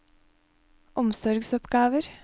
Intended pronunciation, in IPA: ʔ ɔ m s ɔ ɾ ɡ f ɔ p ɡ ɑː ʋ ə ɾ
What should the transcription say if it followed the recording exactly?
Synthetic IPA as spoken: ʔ ɔ m s ɔ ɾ ɡ s ɔ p ɡ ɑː ʋ ə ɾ